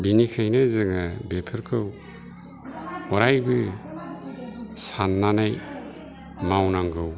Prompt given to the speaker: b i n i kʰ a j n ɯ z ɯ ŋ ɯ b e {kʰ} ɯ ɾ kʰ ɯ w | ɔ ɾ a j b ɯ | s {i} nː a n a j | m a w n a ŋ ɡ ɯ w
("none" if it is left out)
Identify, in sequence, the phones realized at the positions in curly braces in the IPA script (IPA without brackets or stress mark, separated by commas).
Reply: pʰ, a